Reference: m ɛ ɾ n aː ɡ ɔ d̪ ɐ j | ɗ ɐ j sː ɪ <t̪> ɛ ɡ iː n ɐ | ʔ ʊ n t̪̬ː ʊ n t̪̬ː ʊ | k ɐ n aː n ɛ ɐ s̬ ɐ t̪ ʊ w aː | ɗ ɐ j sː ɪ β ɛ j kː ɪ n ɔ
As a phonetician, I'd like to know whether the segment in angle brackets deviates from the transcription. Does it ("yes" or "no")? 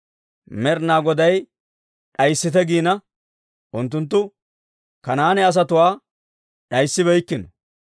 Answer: no